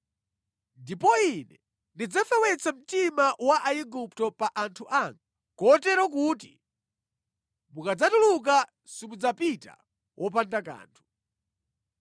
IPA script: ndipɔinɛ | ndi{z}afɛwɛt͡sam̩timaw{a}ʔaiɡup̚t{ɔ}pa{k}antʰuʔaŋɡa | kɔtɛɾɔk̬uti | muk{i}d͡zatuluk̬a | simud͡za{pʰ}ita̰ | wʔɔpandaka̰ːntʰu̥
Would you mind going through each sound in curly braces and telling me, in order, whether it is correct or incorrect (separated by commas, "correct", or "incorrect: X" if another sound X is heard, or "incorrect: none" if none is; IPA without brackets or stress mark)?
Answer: incorrect: d͡z, correct, correct, incorrect: ʔ, incorrect: a, incorrect: p